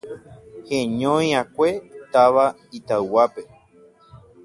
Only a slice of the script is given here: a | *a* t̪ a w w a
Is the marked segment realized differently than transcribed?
yes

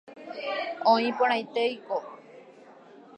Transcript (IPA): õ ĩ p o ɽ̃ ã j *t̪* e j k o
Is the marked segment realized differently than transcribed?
no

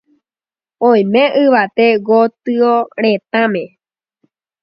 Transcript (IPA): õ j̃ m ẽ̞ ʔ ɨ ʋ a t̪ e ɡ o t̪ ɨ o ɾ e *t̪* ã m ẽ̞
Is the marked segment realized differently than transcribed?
no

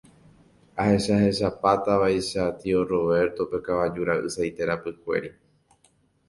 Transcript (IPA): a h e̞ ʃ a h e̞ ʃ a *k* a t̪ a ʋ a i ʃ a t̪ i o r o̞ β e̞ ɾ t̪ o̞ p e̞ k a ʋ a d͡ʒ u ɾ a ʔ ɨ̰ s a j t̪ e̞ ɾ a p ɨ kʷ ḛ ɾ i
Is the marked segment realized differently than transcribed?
yes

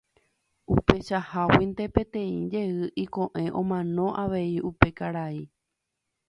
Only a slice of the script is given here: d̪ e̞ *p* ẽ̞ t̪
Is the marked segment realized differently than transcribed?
no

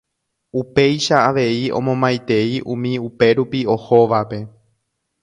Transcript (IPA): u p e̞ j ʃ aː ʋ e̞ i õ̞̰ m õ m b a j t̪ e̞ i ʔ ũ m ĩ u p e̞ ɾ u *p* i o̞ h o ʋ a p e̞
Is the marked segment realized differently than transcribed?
no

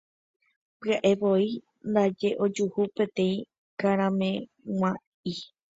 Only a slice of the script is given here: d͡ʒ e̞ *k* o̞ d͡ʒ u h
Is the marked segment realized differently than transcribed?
yes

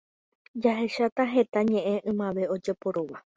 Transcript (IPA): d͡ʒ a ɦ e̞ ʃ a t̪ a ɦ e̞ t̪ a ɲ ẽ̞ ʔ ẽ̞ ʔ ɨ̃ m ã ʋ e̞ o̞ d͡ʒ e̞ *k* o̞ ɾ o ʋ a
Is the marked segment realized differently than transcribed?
yes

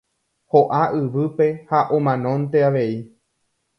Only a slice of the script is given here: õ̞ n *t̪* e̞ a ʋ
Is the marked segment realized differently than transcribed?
no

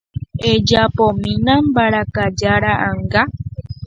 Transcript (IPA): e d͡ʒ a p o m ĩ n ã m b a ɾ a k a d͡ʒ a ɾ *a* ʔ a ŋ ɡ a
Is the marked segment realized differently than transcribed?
no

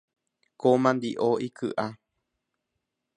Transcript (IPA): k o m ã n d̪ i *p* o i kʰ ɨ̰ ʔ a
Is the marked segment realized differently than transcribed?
yes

